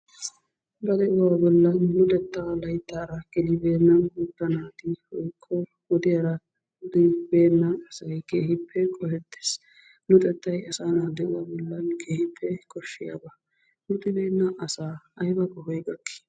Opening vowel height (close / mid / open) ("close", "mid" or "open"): open